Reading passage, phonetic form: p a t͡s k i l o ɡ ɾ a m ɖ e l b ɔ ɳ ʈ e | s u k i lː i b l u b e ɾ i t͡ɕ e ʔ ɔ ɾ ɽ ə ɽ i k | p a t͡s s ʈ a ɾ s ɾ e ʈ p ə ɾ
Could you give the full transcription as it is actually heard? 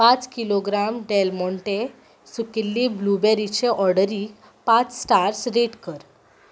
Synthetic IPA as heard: p a t͡s k i l o ɡ ɾ a m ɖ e l m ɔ ɳ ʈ e | s u k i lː i b l u b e ɾ i t͡ɕ e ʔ ɔ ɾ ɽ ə ɾ i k | p a t͡s s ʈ a ɾ s ɾ e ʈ k ə ɾ